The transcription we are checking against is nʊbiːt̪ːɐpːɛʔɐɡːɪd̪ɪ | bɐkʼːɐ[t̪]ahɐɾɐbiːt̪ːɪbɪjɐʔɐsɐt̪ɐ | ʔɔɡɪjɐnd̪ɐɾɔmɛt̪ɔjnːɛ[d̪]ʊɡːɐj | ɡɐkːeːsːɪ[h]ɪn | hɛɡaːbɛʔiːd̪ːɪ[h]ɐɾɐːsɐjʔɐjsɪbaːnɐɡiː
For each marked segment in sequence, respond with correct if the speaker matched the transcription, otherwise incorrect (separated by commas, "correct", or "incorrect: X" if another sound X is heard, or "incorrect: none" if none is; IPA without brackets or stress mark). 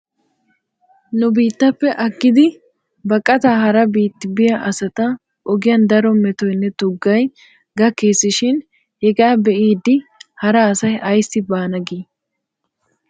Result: correct, incorrect: t̪, incorrect: ʃ, correct